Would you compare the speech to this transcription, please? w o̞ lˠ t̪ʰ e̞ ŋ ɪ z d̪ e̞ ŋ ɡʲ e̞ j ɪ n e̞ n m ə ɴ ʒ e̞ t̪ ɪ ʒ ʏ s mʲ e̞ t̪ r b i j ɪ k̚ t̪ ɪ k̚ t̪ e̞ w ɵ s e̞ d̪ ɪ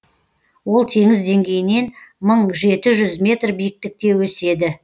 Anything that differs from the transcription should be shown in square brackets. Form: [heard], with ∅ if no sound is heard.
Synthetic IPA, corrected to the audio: w o̞ lˠ t̪ʰ e̞ ŋ ɪ z d̪ e̞ ŋ ɡʲ e̞ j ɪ n e̞ n m ə ɴ ʒ e̞ t̪ ɪ ʒ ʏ [z] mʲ e̞ t̪ r b i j ɪ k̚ t̪ ɪ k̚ t̪ e̞ w ɵ s e̞ d̪ ɪ